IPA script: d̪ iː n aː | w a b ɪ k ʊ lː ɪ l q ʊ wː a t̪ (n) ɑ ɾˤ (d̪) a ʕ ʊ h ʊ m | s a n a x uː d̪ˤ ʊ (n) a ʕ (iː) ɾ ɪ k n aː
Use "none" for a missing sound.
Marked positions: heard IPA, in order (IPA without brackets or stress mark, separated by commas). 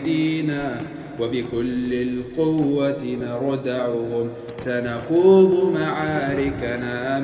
n, d̪, m, aː